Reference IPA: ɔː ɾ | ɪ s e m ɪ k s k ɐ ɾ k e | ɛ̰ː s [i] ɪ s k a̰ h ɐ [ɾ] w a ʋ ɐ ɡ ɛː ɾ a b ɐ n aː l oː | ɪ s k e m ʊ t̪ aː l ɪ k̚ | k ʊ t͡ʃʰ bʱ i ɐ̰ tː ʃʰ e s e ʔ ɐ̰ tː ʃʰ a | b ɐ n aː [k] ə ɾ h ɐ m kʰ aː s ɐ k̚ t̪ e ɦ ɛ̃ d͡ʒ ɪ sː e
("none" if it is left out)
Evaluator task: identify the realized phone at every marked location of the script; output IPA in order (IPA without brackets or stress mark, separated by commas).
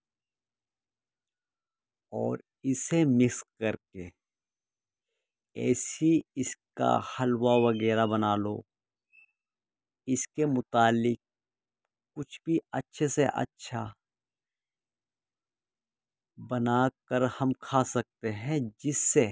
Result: i, l, k